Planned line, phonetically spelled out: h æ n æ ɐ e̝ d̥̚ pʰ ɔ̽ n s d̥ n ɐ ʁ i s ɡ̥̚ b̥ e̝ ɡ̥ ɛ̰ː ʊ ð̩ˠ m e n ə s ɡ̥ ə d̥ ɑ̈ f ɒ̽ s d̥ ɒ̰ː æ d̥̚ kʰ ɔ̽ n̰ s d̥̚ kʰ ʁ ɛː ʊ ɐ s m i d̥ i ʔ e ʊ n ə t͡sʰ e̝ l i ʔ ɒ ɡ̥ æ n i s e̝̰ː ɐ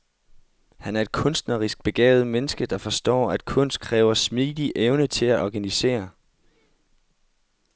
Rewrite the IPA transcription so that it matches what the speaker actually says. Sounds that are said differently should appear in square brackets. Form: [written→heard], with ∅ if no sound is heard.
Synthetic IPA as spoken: h æ n æ ɐ e̝ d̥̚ [pʰ→kʰ] ɔ̽ n s d̥ n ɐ ʁ i s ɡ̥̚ b̥ e̝ ɡ̥ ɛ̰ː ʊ ð̩ˠ m e n ə s ɡ̥ ə d̥ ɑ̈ f ɒ̽ s d̥ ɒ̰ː æ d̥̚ kʰ ɔ̽ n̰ s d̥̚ kʰ ʁ ɛː ʊ ɐ s m i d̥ i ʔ e ʊ n ə t͡sʰ e̝ l [i→æ] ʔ ɒ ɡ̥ æ n i s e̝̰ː ɐ